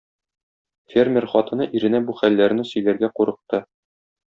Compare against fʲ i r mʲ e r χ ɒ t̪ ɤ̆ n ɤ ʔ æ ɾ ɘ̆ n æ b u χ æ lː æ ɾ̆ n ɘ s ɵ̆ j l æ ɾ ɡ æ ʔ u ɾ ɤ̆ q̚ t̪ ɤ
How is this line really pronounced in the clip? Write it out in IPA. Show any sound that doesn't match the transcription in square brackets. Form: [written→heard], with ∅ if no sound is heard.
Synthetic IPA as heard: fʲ [i→e] r mʲ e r χ ɒ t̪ ɤ̆ n ɤ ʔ [æ→i] ɾ ɘ̆ n æ b u χ æ lː æ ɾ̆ n ɘ s ɵ̆ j l æ ɾ ɡ æ [ʔ→q] u ɾ ɤ̆ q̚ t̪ ɤ